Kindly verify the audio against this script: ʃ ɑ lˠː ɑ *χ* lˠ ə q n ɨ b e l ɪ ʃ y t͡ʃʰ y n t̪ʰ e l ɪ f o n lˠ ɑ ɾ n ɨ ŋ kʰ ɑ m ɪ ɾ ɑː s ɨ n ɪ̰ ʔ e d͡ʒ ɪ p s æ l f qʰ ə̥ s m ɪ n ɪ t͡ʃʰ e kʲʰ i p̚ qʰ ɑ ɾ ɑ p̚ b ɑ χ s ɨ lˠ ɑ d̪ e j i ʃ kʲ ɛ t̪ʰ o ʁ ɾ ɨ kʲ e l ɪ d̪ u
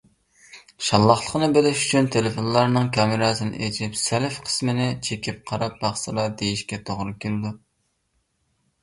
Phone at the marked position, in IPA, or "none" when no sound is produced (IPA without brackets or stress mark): χ